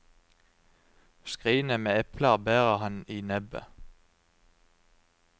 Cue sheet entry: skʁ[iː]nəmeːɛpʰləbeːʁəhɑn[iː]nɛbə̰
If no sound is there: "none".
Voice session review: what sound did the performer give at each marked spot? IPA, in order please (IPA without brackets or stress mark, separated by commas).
iː, iː